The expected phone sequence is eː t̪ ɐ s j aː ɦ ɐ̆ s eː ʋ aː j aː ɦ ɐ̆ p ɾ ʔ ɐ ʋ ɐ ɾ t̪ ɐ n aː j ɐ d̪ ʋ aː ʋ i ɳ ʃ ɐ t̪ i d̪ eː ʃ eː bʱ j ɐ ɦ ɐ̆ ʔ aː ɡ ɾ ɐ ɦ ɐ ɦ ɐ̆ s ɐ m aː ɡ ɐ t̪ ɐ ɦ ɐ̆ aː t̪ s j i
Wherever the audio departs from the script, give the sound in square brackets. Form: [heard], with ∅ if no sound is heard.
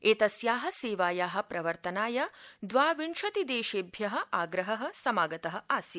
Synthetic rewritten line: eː t̪ ɐ s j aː ɦ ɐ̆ s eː ʋ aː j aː ɦ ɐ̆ p ɾ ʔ ɐ ʋ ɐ ɾ t̪ ɐ n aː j ɐ d̪ ʋ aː ʋ i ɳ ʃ ɐ t̪ i d̪ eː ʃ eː bʱ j ɐ ɦ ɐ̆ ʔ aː ɡ ɾ ɐ ɦ ɐ ɦ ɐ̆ s ɐ m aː ɡ ɐ t̪ ɐ ɦ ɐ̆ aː [∅] s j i